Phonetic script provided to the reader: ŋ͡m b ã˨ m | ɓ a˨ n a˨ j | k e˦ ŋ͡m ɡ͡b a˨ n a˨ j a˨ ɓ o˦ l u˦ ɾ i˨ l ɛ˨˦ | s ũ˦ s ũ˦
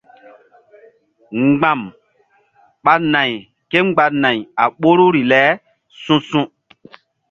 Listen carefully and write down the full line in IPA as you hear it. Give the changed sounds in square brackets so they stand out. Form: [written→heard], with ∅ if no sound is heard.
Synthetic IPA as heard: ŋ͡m [b→ɡ͡b] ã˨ m | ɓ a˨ n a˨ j | k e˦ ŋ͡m ɡ͡b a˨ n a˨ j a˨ ɓ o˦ [l→ɾ] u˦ ɾ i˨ l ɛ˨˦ | s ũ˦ s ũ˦

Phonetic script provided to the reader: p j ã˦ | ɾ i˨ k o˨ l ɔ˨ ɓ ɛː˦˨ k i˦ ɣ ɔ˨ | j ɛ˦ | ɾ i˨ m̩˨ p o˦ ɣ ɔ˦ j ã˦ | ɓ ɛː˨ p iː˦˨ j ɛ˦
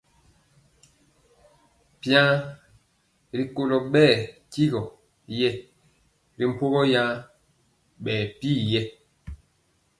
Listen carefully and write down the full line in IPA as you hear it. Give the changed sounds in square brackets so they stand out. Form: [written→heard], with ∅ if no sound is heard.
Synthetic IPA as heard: p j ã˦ | ɾ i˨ k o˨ l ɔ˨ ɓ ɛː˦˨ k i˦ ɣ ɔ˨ | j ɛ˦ | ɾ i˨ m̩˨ p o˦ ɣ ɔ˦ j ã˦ | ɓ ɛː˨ p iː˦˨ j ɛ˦

